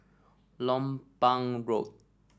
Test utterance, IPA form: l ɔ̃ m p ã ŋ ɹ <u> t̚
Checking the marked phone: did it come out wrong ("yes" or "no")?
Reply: yes